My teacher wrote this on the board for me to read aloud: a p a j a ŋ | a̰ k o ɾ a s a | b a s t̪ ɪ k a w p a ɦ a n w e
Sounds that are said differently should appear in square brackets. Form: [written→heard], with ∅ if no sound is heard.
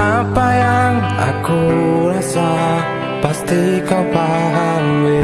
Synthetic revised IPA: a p a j a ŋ | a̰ k [o→u] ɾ a s a | [b→p] a s t̪ [ɪ→i] k a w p a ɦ a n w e